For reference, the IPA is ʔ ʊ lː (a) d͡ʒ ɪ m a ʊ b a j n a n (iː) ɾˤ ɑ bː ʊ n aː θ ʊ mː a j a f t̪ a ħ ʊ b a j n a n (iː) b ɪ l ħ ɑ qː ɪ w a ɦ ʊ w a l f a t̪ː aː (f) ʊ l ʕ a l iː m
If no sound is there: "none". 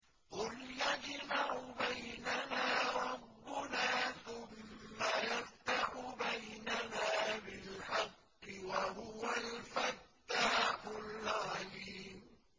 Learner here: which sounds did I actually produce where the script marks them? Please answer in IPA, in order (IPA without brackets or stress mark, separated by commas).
a, aː, aː, ħ